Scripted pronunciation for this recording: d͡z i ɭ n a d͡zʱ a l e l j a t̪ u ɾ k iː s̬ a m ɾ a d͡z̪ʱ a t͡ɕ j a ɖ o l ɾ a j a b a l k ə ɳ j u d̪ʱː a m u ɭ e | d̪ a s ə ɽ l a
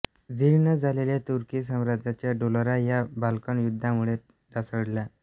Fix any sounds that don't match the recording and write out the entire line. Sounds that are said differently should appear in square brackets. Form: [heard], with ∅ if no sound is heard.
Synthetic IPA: d͡z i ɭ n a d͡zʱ a l e l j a t̪ u ɾ k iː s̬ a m ɾ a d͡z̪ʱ a t͡ɕ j a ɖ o l ɾ a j a b a l k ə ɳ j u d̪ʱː a m u ɭ e | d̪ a s ə ɽ l a